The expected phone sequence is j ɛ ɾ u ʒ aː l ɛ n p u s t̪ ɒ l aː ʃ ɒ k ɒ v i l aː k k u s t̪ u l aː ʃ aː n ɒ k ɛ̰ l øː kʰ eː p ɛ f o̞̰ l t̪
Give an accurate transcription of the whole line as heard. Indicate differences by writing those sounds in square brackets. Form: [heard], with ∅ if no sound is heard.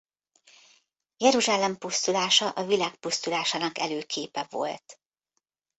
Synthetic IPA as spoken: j ɛ ɾ u ʒ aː l ɛ [m] p u s t̪ [u] l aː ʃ ɒ [ʔ] ɒ v i l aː k [p] u s t̪ u l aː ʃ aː n ɒ k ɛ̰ l øː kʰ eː p ɛ [v] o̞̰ l t̪